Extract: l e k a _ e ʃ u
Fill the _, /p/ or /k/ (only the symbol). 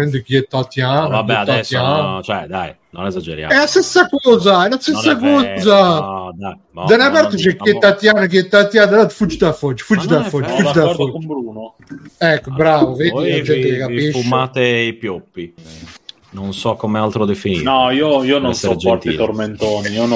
p